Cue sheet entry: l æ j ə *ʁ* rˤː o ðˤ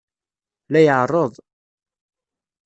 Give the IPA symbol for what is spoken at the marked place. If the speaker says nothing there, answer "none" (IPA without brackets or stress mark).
ʕ